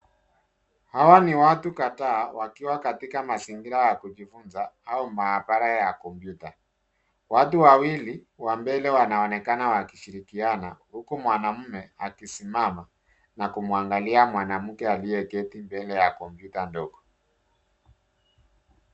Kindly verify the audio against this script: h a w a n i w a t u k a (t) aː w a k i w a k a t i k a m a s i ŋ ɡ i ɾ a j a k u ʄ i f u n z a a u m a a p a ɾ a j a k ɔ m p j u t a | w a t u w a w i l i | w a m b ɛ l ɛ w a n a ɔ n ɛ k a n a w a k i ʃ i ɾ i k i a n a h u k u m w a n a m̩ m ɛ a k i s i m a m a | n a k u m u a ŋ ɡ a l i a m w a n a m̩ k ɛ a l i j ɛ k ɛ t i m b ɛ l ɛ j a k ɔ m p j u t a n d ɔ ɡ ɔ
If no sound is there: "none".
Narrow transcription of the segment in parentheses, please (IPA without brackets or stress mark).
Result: t